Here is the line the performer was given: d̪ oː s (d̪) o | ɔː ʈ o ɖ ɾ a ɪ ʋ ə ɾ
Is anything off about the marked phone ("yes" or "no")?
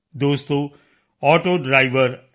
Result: yes